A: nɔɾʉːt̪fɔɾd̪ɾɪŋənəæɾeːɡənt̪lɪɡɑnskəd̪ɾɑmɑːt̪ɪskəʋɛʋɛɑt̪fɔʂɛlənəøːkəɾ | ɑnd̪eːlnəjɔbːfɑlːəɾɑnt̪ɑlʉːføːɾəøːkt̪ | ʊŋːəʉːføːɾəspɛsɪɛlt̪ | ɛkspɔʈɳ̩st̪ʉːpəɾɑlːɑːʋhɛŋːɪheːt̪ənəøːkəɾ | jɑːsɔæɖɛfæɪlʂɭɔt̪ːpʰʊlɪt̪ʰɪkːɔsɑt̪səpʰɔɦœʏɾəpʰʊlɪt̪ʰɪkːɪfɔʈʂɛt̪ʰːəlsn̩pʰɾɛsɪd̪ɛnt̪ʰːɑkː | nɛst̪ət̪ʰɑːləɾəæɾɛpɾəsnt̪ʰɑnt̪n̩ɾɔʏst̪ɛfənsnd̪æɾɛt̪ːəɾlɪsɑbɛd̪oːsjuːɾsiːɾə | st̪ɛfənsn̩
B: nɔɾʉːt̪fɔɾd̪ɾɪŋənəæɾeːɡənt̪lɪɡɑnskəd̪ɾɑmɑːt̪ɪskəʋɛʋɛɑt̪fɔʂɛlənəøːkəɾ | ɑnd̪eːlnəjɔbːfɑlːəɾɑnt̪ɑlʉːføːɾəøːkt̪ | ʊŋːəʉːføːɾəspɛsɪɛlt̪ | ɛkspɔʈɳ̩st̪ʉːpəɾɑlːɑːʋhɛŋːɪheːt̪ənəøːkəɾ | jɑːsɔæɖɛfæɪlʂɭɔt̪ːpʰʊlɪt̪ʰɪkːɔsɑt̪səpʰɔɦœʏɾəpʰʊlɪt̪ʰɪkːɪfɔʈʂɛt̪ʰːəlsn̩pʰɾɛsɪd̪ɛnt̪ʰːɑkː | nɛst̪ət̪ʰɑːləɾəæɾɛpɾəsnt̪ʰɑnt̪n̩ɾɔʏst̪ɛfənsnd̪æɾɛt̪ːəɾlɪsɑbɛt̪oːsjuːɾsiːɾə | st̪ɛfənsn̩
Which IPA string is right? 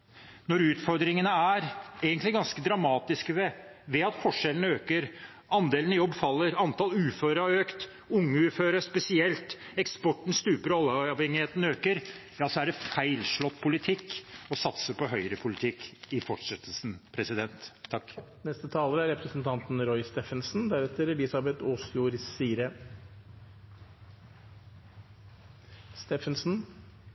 B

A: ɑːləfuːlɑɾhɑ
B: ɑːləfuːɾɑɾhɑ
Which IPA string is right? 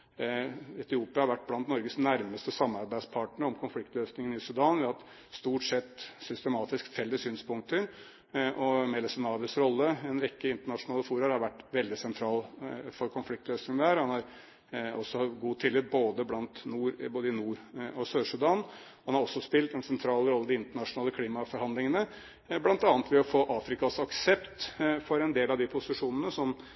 B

